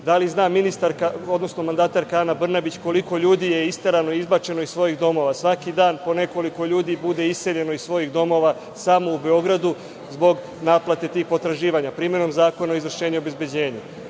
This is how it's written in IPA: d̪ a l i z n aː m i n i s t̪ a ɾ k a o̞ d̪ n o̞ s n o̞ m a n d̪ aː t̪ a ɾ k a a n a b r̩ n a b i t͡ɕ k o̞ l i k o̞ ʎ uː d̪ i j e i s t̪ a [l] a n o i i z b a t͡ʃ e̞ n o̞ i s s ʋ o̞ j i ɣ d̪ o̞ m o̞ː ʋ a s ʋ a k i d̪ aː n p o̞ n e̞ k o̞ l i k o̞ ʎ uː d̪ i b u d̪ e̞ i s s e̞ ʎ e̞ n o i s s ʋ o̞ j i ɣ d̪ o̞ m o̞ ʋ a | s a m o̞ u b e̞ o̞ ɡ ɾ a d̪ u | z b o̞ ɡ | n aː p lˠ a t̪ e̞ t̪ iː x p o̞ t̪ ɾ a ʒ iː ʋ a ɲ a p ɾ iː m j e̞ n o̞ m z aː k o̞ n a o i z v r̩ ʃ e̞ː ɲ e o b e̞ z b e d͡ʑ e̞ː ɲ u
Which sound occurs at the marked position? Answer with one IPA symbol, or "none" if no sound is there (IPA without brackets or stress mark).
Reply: ɾ